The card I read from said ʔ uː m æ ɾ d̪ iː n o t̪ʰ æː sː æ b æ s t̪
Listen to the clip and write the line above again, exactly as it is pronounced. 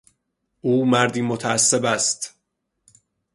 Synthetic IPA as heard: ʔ uː m æ ɾ d̪ iː m o t̪ʰ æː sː e b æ s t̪